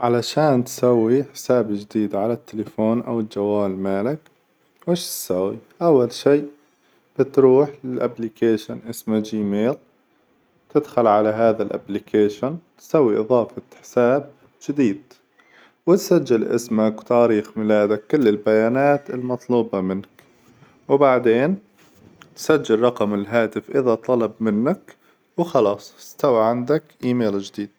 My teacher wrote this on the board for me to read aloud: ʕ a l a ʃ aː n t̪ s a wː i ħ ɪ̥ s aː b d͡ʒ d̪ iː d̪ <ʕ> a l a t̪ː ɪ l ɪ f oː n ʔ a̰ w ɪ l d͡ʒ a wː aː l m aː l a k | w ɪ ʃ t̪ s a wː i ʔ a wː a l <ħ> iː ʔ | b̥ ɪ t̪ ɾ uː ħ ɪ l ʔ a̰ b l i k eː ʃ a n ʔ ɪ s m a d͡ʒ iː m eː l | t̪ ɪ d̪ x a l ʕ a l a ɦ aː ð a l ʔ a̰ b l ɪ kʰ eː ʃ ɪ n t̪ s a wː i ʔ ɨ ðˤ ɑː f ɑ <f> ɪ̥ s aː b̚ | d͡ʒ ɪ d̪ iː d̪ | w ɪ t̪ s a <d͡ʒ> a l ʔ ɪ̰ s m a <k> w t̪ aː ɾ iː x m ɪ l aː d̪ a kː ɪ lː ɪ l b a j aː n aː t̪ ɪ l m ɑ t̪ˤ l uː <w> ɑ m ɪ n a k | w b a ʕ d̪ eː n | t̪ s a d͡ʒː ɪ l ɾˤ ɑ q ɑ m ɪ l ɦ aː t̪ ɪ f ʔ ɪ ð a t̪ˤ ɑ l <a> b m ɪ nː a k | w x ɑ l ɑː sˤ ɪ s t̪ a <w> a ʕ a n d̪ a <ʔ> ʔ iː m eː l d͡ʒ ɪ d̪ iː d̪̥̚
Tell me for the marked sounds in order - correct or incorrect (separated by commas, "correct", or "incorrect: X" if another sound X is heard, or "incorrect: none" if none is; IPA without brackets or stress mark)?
correct, incorrect: ʃ, incorrect: ħ, incorrect: d͡ʒː, correct, incorrect: b, incorrect: ɑ, correct, incorrect: k